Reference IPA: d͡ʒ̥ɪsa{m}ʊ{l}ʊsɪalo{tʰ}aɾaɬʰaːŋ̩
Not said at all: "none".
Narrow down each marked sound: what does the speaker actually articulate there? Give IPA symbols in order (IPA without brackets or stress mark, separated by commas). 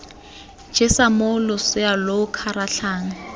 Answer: m, l, kʰ